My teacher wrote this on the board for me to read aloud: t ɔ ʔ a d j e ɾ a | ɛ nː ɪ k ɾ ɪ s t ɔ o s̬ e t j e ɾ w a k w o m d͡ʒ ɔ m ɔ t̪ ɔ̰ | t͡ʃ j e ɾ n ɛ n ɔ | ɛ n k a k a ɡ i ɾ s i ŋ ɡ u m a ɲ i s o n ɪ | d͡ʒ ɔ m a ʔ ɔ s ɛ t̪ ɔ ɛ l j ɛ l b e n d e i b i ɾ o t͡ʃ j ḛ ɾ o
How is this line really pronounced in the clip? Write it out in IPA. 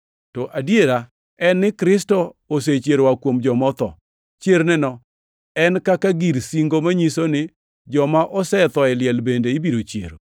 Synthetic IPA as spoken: t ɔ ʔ a d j e ɾ a | ɛ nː ɪ k ɾ ɪ s t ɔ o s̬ e t͡ʃ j e ɾ w a k w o m d͡ʒ ɔ m ɔ t̪ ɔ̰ | t͡ʃ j e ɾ n ɛ n ɔ | ɛ n k a k a ɡ i ɾ s i ŋ ɡ o m a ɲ i s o n ɪ | d͡ʒ ɔ m a ʔ ɔ s ɛ t̪ ɔ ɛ l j ɛ l b e n d e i b i ɾ o t͡ʃ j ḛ ɾ o

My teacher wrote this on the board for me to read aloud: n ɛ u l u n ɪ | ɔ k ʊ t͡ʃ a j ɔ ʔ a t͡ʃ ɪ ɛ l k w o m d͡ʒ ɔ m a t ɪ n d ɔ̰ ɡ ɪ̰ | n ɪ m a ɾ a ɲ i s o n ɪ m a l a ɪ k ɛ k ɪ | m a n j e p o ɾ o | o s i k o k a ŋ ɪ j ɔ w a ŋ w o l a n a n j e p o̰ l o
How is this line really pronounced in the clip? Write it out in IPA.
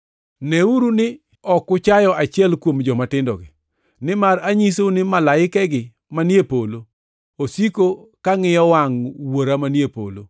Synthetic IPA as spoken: n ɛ u ɾ u n ɪ | ɔ k ʊ t͡ʃ a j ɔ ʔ a t͡ʃ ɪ ɛ l k w o m d͡ʒ ɔ m a t ɪ n d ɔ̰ ɡ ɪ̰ | n ɪ m a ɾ a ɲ i s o n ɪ m a l a ɪ k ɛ ɡ ɪ | m a n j e p o l o | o s i k o k a ŋ ɪ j ɔ w a ŋ w o ɾ a m a n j e p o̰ l o

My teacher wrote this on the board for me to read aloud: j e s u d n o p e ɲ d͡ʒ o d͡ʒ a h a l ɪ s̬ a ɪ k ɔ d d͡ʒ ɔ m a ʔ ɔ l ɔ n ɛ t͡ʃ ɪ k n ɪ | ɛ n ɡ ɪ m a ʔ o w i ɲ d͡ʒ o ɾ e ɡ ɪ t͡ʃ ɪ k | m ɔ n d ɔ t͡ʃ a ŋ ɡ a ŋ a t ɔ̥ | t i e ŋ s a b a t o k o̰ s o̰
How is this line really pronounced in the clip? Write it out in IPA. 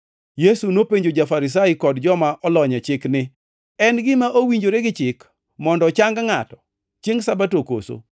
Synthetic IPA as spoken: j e s u n o p e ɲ d͡ʒ o d͡ʒ a f a ɾ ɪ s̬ a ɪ k ɔ d d͡ʒ ɔ m a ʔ ɔ l ɔ ɲ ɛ t͡ʃ ɪ k n ɪ | ɛ n ɡ ɪ m a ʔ o w i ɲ d͡ʒ o ɾ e ɡ ɪ t͡ʃ ɪ k | m ɔ n d ɔ t͡ʃ a ŋ ɡ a ŋ a t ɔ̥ | t͡ʃ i e ŋ s a b a t o k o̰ s o̰

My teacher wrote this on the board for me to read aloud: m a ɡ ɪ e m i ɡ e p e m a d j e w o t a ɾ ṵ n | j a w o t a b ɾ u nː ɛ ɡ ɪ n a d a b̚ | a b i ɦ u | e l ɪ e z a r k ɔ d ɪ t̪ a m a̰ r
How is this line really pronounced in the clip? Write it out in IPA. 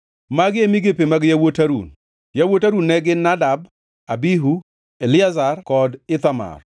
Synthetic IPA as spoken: m a ɡ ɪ e m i ɡ e p e m a ɡ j a w o t a ɾ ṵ n | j a w o t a ɾ u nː ɛ ɡ ɪ n a d a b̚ | a b i ɦ u | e l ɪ a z a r k ɔ d ɪ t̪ a m a̰ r

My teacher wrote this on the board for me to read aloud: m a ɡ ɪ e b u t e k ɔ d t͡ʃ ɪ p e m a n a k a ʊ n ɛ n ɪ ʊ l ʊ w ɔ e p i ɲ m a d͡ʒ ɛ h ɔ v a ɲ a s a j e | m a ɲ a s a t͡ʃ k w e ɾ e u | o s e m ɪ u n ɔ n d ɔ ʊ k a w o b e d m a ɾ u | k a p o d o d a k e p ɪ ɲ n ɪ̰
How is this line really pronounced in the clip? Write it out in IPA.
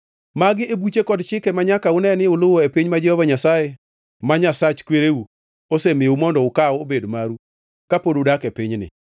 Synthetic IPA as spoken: m a ɡ ɪ e b u t͡ʃ e k ɔ d t͡ʃ ɪ k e m a ɲ a k a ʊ n ɛ n ɪ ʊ l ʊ w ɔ e p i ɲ m a d͡ʒ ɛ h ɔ v a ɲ a s a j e | m a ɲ a s a t͡ʃ k w e ɾ e u | o s e m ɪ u m ɔ n d ɔ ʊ k a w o b e d m a ɾ u | k a p o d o d a k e p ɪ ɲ n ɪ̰

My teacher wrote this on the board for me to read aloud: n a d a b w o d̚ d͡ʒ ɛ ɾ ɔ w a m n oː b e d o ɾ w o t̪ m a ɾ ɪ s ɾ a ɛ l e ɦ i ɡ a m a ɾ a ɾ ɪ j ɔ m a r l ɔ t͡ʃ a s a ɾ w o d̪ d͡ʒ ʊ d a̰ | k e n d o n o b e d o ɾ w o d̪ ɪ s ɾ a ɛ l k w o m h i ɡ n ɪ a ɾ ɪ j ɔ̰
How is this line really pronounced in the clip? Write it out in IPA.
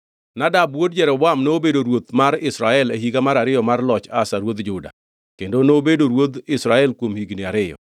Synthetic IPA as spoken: n a d a b w o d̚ d͡ʒ ɛ ɾ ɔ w a m n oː b e d o ɾ w o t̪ m a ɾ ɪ s ɾ a ɛ l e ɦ i ɡ a m a ɾ a ɾ ɪ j ɔ m a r l ɔ t͡ʃ a s a ɾ w o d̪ d͡ʒ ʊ d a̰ | k e n d o n o b e d o ɾ w o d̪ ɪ s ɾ a ɛ l k w o m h i ɡ n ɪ a ɾ ɪ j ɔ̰

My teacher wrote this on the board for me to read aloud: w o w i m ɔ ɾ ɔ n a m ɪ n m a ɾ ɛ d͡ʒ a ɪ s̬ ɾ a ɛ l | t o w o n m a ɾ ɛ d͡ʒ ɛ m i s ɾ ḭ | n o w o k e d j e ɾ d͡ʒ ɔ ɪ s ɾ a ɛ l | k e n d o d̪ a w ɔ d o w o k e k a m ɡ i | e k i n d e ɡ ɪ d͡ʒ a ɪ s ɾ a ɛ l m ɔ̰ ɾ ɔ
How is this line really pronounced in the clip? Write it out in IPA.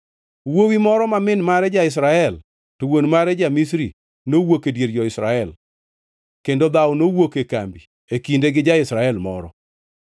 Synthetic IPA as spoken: w o w i m ɔ ɾ ɔ m a m ɪ n m a ɾ ɛ d͡ʒ a ɪ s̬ ɾ a ɛ l | t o w o n m a ɾ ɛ d͡ʒ a m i s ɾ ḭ | n o w o k e d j e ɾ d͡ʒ ɔ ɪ s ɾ a ɛ l | k e n d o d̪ a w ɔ n o w o k e k a m b i | e k i n d e ɡ ɪ d͡ʒ a ɪ s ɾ a ɛ l m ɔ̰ ɾ ɔ

